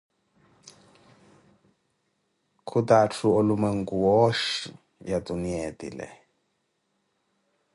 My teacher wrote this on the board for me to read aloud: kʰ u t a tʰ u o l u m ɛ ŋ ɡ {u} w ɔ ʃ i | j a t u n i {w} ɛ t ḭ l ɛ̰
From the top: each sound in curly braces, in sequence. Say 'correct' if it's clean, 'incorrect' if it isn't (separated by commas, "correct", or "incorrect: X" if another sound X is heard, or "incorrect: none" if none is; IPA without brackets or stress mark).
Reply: correct, incorrect: none